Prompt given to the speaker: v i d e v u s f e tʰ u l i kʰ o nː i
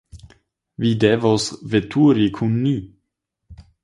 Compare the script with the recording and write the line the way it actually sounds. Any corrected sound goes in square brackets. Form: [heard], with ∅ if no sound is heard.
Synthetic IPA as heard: v i d e v [o] s [v] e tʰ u [ɾ] i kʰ [u] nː i